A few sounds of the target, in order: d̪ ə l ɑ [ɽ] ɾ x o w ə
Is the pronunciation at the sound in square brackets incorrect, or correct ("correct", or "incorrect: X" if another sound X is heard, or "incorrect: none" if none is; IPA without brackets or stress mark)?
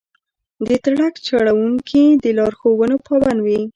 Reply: incorrect: none